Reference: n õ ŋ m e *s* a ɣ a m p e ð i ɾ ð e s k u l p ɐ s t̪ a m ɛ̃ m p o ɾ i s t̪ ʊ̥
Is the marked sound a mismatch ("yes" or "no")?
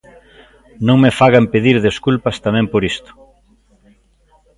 yes